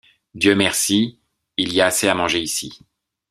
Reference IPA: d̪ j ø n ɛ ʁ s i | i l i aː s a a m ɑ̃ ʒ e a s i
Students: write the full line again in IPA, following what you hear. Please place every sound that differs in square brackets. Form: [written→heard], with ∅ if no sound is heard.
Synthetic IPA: d̪ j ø [n→m] ɛ ʁ s i | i l i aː s [a→e] a m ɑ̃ ʒ e [a→i] s i

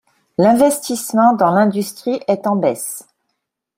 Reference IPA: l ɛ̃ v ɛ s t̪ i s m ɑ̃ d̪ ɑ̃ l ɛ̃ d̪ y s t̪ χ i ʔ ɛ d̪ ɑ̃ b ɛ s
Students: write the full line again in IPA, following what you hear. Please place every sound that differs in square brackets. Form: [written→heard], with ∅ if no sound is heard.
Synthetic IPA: l ɛ̃ v ɛ s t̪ i s m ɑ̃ d̪ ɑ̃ l ɛ̃ d̪ y s t̪ χ i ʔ ɛ [d̪→t̪] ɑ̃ b ɛ s

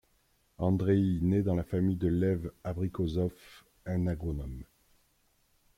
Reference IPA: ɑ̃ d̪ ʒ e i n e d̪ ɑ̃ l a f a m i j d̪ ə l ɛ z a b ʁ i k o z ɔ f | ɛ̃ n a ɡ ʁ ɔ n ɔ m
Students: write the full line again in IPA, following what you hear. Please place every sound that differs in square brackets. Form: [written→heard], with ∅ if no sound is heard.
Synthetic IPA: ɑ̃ d̪ [ʒ→ʁ] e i n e d̪ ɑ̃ l a f a m i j d̪ ə l ɛ [z→v] a b ʁ i k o z ɔ f | ɛ̃ n a ɡ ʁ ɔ n ɔ m

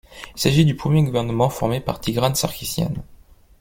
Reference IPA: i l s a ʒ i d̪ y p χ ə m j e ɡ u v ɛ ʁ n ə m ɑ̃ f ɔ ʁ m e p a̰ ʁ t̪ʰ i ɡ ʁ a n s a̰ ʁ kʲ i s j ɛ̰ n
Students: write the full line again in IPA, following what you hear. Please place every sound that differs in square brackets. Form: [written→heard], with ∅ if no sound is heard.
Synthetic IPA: i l s a ʒ i d̪ y p χ ə m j e ɡ u v ɛ ʁ n ə m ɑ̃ f ɔ ʁ m e p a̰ ʁ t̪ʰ i ɡ ʁ a n s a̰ ʁ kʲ i s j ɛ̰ n

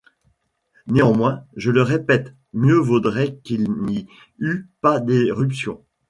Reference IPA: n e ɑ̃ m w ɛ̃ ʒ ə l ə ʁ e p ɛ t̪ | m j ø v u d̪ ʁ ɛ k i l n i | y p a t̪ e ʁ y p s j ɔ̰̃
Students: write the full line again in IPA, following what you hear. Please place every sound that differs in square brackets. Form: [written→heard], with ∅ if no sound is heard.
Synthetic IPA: n e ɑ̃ m w ɛ̃ ʒ ə l ə ʁ e p ɛ t̪ | m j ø v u d̪ ʁ ɛ k i l n i | y p a [t̪→d̪] e ʁ y p s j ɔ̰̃

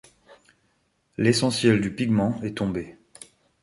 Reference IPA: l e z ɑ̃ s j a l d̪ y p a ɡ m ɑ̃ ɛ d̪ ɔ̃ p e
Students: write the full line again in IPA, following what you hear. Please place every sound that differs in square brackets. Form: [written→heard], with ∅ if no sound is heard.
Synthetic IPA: l e [z→s] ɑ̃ s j [a→ɛ] l d̪ y p [a→i] ɡ m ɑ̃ ɛ [d̪→t̪] ɔ̃ [p→b] e

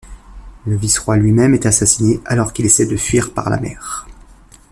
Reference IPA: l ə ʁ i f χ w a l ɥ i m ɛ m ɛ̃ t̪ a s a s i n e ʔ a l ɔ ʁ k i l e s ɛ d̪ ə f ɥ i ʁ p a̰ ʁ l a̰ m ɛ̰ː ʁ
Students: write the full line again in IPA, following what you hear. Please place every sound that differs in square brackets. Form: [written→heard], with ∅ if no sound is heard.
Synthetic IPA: l ə [ʁ→v] i [f→s] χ w a l ɥ i m ɛ m [ɛ̃→ɛ] t̪ a s a s i n e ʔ a l ɔ ʁ k i l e s ɛ d̪ ə f ɥ i ʁ p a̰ ʁ l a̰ m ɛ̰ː ʁ

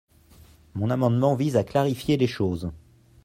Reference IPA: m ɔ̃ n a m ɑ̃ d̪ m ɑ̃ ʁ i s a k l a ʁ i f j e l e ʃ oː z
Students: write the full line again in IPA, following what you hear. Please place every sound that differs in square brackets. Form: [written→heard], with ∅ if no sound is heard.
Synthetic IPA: m ɔ̃ n a m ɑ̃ d̪ m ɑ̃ [ʁ→v] i [s→z] a k l a ʁ i f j e l e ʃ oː z

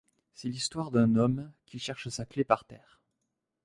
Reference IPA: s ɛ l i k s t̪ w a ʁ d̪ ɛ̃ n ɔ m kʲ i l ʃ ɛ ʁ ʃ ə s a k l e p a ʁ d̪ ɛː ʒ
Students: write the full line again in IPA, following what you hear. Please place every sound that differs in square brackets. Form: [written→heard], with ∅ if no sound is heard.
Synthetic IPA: s ɛ l i [k→∅] s t̪ w a ʁ d̪ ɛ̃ n ɔ m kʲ i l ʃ ɛ ʁ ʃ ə s a k l e p a ʁ [d̪→t̪] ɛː [ʒ→ʁ]

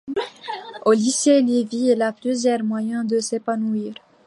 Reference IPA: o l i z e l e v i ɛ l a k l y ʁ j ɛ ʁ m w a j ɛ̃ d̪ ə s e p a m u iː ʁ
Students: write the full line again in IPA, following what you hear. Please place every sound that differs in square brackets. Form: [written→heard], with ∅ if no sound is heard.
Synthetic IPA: o l i [z→s] e l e v i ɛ l a [k→p] l y [ʁ→z] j ɛ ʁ m w a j ɛ̃ d̪ ə s e p a [m→n] u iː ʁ

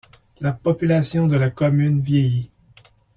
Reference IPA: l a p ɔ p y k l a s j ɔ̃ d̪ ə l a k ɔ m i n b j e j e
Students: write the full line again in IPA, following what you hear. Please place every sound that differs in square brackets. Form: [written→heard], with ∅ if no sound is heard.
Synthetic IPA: l a p ɔ p y [k→∅] l a s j ɔ̃ d̪ ə l a k ɔ m [i→y] n [b→v] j e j [e→i]

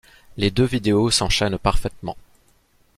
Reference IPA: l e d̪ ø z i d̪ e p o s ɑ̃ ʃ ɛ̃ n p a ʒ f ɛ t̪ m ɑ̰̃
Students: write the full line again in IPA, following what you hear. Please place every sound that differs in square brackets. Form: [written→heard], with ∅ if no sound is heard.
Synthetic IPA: l e d̪ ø [z→v] i d̪ e [p→∅] o s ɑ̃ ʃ [ɛ̃→ɛ] n p a [ʒ→ʁ] f ɛ t̪ m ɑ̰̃

